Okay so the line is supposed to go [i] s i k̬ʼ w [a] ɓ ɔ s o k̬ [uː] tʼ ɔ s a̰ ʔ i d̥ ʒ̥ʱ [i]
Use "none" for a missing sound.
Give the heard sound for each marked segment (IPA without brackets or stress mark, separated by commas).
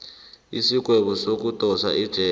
i, ɛ, u, ɛ